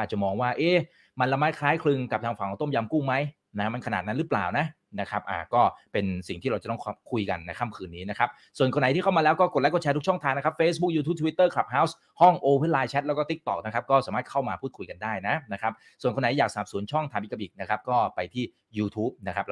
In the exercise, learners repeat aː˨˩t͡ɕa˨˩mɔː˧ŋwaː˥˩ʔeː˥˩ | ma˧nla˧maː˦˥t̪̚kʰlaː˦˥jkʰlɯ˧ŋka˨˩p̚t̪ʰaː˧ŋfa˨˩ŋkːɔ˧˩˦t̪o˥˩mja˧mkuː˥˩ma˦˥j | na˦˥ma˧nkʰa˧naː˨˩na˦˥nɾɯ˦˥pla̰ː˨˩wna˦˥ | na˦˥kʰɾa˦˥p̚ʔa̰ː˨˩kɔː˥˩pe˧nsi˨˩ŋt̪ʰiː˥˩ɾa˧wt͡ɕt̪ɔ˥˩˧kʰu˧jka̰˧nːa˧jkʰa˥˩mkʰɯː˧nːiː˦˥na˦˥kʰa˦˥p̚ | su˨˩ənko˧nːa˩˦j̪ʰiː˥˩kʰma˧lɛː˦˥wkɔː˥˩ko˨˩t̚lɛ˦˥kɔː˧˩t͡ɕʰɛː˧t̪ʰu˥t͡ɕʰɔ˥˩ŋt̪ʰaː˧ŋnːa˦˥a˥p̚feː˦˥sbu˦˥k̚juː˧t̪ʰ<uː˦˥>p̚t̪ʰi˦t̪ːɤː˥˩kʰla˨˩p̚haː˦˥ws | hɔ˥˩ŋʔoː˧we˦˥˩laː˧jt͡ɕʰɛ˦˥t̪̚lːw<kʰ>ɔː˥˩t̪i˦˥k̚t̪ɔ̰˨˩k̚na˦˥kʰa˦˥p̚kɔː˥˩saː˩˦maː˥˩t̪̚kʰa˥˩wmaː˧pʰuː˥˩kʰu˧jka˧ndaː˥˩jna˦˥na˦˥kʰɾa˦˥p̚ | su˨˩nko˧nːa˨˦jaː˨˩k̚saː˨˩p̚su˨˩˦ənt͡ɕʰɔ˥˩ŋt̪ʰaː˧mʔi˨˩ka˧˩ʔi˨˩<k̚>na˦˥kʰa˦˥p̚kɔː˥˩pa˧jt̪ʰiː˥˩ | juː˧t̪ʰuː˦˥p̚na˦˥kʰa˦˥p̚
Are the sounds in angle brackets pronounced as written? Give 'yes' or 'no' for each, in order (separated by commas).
no, no, yes